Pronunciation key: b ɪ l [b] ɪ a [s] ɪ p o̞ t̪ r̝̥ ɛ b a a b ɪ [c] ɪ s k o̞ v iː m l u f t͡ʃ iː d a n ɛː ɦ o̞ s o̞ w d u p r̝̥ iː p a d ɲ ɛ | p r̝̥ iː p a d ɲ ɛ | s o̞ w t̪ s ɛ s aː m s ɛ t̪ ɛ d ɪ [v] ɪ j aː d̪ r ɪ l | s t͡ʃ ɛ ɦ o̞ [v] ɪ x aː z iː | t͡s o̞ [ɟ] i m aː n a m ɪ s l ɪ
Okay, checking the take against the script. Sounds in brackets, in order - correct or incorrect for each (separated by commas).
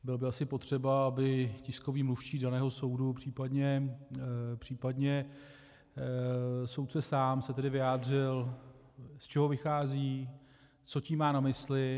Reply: correct, correct, correct, correct, correct, incorrect